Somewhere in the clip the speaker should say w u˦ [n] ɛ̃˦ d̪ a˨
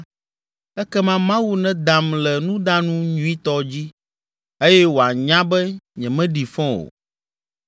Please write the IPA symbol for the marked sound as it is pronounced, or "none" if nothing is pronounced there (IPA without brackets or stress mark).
n